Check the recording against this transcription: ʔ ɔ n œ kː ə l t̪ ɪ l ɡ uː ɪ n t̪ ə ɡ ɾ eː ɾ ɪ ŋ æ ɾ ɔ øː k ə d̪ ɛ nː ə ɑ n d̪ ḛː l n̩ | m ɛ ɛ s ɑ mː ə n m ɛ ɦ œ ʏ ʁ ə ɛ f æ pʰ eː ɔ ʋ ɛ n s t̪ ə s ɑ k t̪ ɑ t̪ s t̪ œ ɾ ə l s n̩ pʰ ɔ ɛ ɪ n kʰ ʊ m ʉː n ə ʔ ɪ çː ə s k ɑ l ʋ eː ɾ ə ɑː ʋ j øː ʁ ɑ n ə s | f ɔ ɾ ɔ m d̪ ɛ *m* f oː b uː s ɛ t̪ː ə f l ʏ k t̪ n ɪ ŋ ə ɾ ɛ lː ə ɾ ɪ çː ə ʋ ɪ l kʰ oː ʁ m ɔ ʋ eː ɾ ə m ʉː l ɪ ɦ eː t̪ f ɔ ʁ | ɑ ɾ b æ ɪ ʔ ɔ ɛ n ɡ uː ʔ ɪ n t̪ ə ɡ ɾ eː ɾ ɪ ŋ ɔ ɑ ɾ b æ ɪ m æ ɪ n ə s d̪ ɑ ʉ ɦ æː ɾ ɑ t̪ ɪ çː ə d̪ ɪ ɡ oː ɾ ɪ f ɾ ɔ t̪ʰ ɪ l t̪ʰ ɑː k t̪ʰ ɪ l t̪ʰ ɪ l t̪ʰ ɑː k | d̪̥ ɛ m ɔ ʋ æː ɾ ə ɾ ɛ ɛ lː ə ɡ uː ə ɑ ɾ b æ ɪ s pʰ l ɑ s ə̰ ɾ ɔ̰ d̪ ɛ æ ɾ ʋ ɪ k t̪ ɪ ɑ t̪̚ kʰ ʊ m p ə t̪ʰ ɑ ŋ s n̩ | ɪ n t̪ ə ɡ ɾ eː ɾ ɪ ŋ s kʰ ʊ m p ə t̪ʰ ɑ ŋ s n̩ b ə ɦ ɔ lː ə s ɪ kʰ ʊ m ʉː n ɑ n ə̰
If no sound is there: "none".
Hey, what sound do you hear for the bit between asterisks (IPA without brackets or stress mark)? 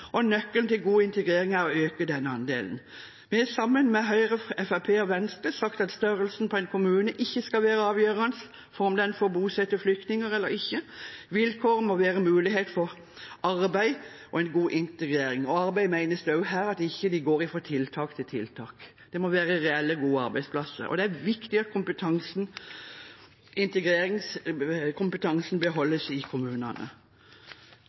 n